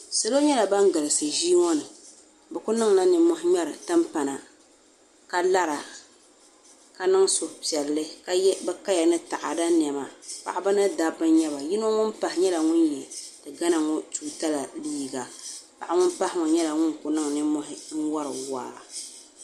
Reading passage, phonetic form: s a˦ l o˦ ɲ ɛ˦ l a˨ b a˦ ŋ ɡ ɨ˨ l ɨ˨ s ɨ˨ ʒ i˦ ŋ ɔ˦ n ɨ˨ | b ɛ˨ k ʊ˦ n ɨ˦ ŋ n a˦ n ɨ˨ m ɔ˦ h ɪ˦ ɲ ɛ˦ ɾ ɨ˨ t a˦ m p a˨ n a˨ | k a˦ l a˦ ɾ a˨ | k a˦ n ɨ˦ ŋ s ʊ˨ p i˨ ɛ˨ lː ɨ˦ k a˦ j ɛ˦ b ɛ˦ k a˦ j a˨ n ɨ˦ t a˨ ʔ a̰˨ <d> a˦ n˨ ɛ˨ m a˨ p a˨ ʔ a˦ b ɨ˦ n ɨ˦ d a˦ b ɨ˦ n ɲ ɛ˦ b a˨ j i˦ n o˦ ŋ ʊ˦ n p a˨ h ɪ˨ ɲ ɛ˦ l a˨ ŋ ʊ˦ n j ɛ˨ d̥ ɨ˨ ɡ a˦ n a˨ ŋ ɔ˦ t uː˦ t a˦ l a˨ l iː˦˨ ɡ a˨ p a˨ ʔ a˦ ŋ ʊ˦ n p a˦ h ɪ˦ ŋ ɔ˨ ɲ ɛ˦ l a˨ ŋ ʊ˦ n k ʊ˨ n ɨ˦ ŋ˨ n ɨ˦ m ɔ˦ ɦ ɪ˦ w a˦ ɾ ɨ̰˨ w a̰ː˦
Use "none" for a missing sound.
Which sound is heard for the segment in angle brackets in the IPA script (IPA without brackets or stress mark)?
d